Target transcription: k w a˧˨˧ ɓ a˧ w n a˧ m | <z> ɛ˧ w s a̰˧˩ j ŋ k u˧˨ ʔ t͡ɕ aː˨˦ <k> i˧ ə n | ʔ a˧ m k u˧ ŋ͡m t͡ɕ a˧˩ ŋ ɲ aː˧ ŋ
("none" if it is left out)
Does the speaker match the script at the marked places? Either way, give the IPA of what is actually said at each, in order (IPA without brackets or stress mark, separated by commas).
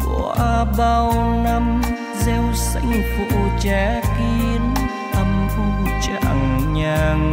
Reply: z, k